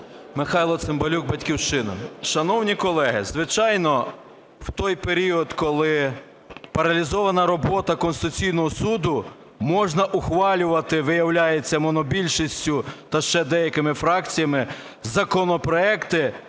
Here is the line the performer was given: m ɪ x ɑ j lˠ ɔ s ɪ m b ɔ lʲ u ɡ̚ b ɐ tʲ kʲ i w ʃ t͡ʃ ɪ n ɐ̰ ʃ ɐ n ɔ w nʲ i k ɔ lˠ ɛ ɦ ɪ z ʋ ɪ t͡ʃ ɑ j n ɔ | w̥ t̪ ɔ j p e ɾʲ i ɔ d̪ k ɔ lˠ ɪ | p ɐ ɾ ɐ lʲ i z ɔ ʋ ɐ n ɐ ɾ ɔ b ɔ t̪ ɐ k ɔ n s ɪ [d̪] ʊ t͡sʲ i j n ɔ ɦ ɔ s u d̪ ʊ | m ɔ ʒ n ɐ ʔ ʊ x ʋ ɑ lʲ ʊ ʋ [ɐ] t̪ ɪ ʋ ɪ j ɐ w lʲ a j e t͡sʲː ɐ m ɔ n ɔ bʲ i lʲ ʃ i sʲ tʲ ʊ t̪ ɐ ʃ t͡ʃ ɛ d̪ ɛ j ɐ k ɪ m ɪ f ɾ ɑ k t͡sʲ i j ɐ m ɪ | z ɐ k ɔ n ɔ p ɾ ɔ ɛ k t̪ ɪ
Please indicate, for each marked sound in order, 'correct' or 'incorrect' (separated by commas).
incorrect, correct